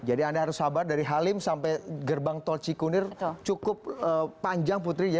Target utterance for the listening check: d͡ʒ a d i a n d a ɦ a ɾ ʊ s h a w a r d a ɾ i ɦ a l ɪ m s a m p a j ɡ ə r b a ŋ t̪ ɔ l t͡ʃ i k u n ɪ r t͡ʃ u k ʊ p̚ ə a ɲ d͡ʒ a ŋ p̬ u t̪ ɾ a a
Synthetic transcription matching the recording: d͡ʒ a d i a n d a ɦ a ɾ ʊ s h a b a r d a ɾ i ɦ a l ɪ m s a m p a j ɡ ə r b a ŋ t̪ ɔ l t͡ʃ i k u n ɪ r t͡ʃ u k ʊ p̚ ə a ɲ d͡ʒ a ŋ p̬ u t̪ ɾ i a